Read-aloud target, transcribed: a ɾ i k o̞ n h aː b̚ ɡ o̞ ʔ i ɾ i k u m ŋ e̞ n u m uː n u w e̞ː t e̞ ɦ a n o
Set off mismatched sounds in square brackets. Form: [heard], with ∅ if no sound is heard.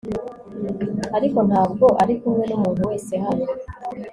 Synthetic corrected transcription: a ɾ i k o̞ n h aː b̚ ɡ o̞ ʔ [a] ɾ i k u m ŋ e̞ n u m uː n u w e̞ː [s] e̞ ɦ a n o